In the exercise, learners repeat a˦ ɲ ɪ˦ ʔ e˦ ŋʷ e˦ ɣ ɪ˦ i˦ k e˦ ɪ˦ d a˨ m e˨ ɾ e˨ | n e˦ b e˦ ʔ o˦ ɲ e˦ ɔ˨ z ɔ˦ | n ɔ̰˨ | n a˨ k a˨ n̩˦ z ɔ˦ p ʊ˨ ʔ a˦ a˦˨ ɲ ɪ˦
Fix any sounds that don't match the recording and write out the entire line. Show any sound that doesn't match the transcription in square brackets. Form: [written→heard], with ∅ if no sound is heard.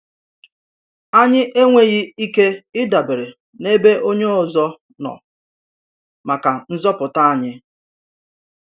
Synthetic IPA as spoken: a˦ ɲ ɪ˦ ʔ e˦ ŋʷ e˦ ɣ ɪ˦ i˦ k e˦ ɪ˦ d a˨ [m→b] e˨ ɾ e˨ | n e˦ b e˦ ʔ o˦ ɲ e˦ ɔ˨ z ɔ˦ | n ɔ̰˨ | [n→m] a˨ k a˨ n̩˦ z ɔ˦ p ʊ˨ [ʔ→t] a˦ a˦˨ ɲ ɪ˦

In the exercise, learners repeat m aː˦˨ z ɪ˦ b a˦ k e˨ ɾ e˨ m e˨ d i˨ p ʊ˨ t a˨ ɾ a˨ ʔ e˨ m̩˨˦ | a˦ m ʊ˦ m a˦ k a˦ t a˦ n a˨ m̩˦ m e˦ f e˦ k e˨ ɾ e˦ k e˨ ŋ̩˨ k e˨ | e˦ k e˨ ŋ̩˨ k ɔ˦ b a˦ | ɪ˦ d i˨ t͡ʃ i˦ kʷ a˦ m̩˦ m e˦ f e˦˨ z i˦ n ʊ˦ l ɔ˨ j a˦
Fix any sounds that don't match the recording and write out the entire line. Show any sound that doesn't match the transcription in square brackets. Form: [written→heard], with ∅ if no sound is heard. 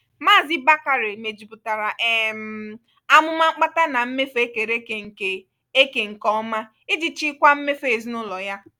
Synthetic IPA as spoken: m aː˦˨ z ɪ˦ b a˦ k [e˨→a˨] ɾ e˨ m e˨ [d→d͡ʒ] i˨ p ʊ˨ t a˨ ɾ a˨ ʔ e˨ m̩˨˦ | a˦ m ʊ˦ m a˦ [k→k͡p] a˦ t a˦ n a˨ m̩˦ m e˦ f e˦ k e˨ ɾ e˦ k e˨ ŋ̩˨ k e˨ | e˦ k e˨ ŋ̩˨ k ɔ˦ [b→m] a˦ | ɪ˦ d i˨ t͡ʃ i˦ kʷ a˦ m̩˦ m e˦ f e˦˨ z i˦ n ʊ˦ l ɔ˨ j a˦

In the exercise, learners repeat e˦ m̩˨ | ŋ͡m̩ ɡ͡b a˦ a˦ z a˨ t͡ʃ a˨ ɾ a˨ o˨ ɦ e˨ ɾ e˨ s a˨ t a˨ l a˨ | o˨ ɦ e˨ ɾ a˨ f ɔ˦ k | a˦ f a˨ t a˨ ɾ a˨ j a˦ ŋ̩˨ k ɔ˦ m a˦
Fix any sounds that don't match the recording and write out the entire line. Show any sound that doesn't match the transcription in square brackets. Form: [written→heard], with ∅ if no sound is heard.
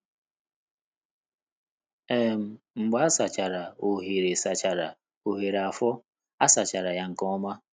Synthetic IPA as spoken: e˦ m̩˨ | ŋ͡m̩ ɡ͡b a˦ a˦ [z→s] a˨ t͡ʃ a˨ ɾ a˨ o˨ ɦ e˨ ɾ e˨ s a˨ [t→t͡ʃ] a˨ [l→ɾ] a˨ | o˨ ɦ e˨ ɾ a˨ f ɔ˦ [k→∅] | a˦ [f→s] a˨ [t→t͡ʃ] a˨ ɾ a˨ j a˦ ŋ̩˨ k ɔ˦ m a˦

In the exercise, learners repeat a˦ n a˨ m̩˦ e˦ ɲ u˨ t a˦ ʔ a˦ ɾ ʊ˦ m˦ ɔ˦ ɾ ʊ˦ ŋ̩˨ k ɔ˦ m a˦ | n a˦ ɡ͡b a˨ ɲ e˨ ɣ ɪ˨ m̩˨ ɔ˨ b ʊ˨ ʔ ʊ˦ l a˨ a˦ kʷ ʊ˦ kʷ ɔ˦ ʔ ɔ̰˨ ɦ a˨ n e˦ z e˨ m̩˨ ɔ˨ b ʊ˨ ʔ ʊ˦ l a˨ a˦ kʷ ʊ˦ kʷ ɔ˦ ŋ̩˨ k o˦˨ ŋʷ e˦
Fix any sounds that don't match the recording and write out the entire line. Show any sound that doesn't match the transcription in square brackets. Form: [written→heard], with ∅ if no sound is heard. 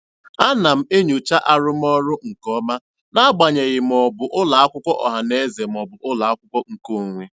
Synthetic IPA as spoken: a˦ n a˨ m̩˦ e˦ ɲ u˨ [t→t͡ʃ] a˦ ʔ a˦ ɾ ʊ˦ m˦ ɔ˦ ɾ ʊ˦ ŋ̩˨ k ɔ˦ m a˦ | n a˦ ɡ͡b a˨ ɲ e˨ ɣ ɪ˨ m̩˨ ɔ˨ b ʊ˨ ʔ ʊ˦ l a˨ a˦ kʷ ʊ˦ kʷ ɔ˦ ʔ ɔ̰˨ ɦ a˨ n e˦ z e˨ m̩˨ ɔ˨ b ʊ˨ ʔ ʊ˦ l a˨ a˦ kʷ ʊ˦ kʷ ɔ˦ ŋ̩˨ k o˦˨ ŋʷ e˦

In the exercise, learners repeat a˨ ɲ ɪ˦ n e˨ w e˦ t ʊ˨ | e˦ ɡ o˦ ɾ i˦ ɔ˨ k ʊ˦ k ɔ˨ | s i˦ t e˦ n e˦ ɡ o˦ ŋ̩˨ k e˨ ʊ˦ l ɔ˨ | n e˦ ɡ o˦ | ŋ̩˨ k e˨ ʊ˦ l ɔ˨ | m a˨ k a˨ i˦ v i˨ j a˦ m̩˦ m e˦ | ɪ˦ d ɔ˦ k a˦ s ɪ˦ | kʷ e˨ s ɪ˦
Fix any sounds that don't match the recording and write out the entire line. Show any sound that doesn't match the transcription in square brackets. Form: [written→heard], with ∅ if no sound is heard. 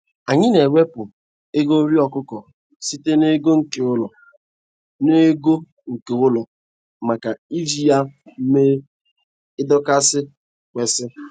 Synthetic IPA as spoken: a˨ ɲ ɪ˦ n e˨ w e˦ [t→p] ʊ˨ | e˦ ɡ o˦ ɾ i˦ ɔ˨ k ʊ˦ k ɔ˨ | s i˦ t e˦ n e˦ ɡ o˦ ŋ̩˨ k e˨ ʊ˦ l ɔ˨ | n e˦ ɡ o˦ | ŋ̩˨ k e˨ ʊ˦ l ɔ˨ | m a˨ k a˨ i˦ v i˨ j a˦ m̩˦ m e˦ | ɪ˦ d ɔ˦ k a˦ s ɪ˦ | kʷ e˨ s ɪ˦

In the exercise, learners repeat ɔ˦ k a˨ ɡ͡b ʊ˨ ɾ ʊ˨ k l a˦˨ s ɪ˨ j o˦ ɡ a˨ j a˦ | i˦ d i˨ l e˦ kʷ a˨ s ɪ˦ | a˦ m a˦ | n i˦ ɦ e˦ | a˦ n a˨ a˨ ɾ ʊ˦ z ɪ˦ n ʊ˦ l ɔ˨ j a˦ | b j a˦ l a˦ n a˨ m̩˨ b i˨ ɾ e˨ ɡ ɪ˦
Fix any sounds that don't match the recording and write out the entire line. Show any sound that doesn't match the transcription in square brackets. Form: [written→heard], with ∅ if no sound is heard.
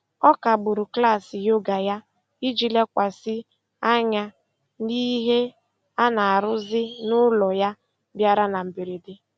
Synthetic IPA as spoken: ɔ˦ k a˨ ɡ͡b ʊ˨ ɾ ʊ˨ k l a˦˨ s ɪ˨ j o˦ ɡ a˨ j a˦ | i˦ [d→d͡ʒ] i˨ l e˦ kʷ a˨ s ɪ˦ | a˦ [m→ɲ] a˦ | n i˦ ɦ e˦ | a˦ n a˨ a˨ ɾ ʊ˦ z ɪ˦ n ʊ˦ l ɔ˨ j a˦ | b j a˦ [l→ɾ] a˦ n a˨ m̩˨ b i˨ ɾ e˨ [ɡ→d] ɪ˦

